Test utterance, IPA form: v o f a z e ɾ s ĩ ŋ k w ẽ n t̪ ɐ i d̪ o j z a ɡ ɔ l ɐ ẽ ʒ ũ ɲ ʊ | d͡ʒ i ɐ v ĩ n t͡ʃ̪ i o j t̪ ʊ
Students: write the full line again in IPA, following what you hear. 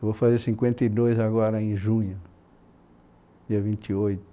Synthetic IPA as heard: v o f a z e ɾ s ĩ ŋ k w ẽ n t̪ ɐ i d̪ o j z a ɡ ɔ ɾ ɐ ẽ ʒ ũ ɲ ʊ | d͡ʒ i ɐ v ĩ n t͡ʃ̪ i o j t̪ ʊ